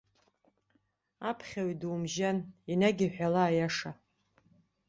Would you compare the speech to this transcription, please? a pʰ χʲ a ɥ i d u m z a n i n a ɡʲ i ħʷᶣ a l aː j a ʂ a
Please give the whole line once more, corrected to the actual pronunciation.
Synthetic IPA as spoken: a pʰ χʲ a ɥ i d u m ʒ a n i n a ɡʲ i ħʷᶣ a l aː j a ʂ a

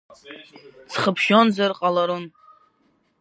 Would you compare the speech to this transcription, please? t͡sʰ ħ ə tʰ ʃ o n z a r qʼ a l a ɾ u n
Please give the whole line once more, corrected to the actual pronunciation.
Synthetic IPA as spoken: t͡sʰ χ ə pʰ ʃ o n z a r qʼ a l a ɾ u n

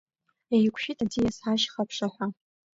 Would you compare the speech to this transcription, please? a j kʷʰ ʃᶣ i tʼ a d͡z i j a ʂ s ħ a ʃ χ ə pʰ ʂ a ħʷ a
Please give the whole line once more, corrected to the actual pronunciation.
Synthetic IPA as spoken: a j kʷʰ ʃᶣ i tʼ a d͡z i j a s ħ a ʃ χ a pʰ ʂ a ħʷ a

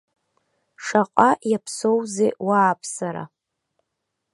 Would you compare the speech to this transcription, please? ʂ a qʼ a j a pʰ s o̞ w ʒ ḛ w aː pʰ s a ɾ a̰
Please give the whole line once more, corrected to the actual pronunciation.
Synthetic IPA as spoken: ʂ a qʼ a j a pʰ s o̞ w z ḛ w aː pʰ s a ɾ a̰

